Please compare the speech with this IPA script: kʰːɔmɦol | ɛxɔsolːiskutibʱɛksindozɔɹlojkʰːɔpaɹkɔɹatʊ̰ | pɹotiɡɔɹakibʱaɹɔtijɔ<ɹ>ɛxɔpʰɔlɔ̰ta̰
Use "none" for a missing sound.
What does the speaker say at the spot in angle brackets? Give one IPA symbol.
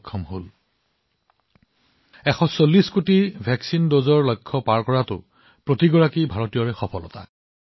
ɹ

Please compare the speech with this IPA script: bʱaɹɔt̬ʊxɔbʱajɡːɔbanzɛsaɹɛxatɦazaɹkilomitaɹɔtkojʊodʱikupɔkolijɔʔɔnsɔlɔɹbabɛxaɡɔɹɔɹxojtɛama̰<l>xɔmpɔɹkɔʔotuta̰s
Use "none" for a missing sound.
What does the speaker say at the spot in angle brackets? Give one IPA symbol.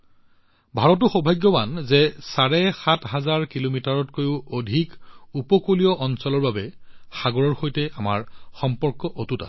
ɹ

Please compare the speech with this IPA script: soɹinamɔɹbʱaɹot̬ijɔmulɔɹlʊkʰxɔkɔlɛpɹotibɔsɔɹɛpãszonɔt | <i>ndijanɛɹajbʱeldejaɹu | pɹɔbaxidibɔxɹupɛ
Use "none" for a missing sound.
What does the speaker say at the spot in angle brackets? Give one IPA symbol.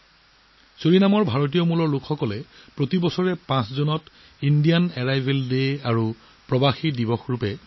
i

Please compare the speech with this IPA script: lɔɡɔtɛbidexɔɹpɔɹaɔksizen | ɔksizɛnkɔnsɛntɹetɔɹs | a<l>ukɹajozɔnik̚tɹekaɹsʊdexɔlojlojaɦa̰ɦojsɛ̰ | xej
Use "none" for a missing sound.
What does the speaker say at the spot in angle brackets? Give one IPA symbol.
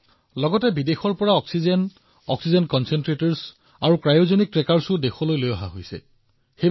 ɹ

